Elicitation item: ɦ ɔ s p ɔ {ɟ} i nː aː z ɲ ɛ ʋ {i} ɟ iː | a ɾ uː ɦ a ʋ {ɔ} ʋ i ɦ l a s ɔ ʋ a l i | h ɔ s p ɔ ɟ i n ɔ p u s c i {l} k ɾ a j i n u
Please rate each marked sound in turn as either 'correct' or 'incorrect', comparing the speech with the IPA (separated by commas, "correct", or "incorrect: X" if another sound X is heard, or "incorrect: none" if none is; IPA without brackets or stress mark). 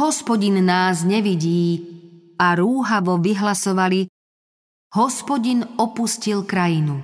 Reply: correct, correct, correct, correct